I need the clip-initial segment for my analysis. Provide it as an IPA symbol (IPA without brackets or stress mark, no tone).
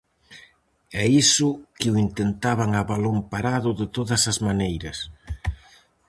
ɛ